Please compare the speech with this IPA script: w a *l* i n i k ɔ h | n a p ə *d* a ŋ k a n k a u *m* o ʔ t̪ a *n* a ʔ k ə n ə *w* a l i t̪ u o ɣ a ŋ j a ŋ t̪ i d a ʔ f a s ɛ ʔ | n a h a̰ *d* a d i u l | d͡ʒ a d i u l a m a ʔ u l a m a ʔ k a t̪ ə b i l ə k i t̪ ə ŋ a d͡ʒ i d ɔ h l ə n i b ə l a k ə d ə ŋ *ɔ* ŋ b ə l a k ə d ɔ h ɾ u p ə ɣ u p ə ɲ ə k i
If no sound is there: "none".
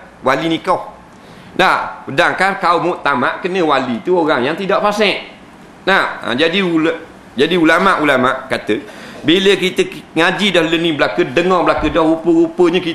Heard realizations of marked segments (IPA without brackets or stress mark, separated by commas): l, d, m, m, w, d͡ʒ, ɔ